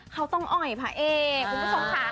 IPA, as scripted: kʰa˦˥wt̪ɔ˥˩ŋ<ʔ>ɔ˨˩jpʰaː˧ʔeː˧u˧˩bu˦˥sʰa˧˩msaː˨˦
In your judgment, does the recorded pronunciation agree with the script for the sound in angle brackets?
yes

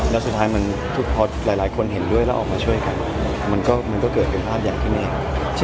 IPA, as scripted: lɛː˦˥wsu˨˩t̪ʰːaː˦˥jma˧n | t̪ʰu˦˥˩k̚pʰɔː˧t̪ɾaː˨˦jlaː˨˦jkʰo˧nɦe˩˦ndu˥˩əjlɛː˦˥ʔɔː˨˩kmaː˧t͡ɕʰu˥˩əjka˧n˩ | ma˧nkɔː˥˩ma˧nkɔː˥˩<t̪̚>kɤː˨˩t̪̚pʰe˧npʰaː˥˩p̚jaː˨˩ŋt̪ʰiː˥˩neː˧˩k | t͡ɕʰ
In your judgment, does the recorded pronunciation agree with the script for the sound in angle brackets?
no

